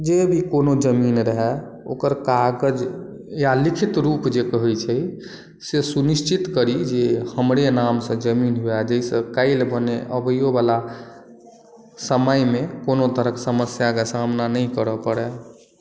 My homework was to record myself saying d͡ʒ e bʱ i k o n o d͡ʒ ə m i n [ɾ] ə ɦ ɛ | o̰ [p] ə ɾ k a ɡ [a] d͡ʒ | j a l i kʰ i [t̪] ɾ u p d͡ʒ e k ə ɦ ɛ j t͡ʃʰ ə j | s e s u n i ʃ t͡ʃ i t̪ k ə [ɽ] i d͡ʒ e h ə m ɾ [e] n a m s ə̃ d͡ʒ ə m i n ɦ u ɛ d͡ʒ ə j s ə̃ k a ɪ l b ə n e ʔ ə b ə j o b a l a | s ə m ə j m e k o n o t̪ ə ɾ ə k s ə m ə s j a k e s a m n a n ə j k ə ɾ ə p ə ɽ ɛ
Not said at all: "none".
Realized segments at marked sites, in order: ɾ, k, ə, t̪, ɾ, e

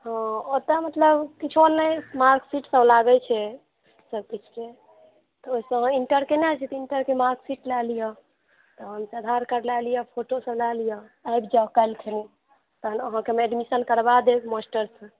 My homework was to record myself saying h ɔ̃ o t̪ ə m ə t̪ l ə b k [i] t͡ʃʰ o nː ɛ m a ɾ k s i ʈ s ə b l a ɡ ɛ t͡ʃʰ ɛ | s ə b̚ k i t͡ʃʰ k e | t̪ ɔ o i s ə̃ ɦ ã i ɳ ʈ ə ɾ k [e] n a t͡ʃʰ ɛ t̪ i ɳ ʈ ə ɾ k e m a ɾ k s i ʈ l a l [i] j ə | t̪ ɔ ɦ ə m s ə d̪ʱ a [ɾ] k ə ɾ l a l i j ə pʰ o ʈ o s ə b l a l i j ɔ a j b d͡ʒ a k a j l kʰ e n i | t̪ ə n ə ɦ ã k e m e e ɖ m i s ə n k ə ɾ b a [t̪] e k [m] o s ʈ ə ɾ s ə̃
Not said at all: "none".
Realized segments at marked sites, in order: i, e, i, ɾ, d̪, m

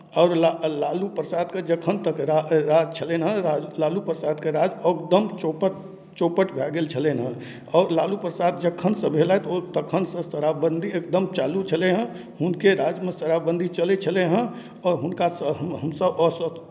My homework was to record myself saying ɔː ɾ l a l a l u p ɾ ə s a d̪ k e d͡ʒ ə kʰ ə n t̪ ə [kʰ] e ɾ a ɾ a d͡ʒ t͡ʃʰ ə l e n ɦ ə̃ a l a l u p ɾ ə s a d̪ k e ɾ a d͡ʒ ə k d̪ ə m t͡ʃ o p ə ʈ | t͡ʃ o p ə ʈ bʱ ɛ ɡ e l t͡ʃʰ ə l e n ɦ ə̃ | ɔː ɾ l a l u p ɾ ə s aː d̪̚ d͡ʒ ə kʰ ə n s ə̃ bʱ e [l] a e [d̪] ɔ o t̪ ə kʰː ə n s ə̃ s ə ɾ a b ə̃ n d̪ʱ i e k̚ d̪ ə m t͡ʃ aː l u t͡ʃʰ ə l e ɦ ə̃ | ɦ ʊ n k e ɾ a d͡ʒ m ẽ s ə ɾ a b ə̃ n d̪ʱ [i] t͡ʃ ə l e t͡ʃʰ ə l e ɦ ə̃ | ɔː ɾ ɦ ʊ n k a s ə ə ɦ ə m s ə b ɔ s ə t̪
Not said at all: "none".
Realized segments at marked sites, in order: k, l, t̪, i

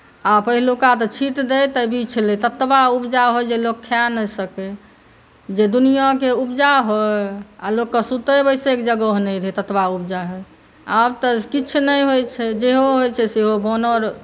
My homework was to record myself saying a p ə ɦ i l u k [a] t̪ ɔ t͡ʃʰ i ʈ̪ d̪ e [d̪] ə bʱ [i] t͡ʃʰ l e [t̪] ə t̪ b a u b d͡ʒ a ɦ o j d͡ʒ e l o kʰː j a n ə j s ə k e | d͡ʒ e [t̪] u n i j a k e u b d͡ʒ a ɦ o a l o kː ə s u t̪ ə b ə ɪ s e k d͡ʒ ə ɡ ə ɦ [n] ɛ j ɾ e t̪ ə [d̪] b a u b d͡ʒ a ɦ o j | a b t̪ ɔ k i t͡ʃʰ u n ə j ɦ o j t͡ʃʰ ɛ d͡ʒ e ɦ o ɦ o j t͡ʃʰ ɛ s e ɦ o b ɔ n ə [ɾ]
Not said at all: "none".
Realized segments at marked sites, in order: a, t̪, i, t̪, d̪, n, t̪, ɾ

